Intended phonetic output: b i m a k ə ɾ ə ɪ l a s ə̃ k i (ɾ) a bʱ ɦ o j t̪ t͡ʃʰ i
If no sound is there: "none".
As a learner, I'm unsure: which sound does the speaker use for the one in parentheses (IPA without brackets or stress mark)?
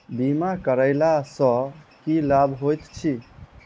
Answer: l